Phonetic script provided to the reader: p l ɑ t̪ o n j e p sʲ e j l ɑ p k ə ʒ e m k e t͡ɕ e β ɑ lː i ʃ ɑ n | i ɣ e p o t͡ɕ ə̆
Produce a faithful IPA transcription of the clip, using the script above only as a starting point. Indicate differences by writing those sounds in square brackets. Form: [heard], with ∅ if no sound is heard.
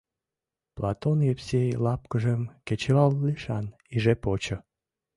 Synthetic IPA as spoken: p l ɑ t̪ o n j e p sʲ e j l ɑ p k ə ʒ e m k e t͡ɕ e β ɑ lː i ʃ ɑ n | i [ʒ] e p o t͡ɕ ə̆